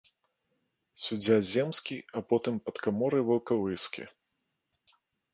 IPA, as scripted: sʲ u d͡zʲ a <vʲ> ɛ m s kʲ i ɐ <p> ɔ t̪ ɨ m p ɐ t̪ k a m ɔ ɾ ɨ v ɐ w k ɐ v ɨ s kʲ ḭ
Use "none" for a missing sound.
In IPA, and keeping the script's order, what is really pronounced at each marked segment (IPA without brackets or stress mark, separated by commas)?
zʲ, p